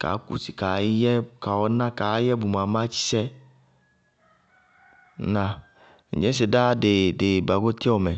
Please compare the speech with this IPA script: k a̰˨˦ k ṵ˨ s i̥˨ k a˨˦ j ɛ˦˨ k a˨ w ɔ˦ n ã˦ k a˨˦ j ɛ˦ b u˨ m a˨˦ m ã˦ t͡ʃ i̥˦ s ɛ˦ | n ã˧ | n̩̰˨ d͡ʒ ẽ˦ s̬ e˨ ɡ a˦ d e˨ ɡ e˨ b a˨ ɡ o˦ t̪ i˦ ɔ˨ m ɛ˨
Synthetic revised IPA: k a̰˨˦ k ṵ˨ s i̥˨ k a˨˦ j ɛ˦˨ k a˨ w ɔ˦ n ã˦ k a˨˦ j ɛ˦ b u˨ m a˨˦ m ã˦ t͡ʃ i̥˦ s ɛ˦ | n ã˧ | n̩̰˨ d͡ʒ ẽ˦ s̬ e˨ d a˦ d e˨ d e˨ b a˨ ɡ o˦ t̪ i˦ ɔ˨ m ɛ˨